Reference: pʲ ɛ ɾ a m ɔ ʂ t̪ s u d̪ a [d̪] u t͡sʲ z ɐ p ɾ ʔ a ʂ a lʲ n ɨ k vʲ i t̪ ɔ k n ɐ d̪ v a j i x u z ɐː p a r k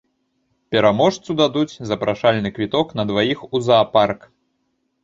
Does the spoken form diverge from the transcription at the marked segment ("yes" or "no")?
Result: no